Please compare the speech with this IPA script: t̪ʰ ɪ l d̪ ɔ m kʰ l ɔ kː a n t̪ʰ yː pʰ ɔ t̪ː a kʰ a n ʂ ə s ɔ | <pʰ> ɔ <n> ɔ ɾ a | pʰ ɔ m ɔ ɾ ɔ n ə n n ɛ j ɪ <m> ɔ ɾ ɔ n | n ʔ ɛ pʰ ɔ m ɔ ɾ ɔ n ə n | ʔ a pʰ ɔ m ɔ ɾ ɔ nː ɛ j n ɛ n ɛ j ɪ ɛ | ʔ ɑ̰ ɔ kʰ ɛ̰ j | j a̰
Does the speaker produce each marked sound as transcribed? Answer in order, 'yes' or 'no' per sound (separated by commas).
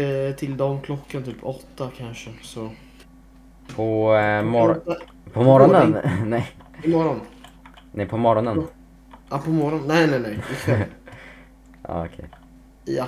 yes, no, yes